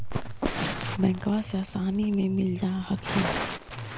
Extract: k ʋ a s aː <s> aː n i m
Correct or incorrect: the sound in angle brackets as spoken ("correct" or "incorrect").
correct